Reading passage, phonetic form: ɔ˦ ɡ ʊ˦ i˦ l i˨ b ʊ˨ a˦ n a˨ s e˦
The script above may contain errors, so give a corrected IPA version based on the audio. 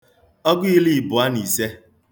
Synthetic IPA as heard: ɔ˦ ɡ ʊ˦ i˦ l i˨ b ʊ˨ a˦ n i˨ s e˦